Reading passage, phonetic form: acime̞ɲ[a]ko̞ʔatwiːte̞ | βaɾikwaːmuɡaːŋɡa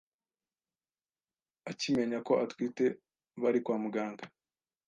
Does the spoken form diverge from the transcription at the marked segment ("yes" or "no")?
no